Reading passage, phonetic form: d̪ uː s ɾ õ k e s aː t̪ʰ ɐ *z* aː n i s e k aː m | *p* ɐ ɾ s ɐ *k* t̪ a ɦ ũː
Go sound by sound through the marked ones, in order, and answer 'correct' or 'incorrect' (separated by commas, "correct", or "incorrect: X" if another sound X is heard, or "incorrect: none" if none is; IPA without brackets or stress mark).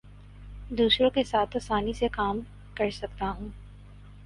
incorrect: s, incorrect: k, correct